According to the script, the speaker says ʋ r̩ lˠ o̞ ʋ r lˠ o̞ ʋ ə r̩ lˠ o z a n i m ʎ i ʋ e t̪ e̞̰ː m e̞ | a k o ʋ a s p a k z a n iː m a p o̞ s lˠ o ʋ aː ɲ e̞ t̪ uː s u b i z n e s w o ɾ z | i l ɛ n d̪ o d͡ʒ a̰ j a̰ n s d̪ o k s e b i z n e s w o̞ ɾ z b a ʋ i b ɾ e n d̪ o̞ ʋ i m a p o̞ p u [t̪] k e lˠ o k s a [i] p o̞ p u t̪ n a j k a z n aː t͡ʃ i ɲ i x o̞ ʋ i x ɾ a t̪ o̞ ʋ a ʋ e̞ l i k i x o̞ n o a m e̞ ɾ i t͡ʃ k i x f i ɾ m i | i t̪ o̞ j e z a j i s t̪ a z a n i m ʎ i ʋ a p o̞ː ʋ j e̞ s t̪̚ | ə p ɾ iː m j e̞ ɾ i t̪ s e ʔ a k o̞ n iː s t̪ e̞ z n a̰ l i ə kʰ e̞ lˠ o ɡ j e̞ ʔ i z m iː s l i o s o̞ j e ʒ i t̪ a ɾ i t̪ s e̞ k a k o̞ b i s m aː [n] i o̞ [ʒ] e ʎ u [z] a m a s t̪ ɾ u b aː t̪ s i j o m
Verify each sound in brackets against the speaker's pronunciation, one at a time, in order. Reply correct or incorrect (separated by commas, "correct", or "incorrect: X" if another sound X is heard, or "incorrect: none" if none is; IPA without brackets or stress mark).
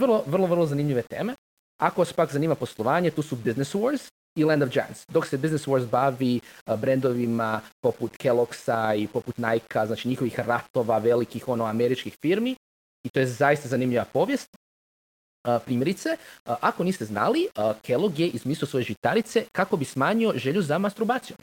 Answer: correct, correct, incorrect: ɲ, correct, correct